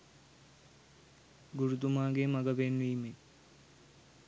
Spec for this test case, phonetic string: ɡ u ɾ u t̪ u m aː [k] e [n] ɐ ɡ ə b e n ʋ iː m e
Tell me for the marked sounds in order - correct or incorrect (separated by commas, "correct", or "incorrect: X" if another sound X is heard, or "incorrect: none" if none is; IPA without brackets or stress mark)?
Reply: incorrect: ɡ, incorrect: m